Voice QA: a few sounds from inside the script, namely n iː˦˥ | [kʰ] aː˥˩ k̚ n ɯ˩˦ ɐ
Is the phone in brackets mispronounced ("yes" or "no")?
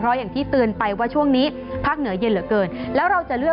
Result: yes